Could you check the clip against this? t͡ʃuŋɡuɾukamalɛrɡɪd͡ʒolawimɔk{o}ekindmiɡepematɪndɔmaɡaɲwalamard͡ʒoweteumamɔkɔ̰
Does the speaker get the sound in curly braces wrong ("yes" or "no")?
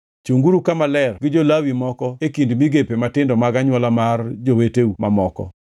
yes